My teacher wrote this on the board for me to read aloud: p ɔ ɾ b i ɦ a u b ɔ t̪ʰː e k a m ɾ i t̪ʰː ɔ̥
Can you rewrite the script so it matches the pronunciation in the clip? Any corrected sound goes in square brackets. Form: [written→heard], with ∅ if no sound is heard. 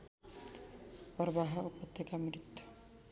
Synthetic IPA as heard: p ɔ ɾ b [i→a] ɦ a u [b→p] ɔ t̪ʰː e k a m ɾ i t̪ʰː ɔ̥